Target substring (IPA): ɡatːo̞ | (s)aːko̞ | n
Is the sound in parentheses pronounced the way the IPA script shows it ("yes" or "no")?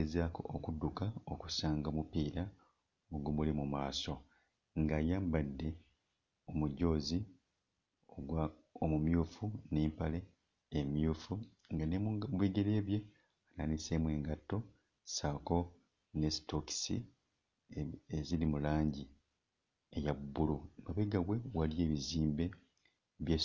yes